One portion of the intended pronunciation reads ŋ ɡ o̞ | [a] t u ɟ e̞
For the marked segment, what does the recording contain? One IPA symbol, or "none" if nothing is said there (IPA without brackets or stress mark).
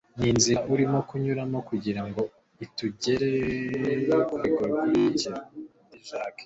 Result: i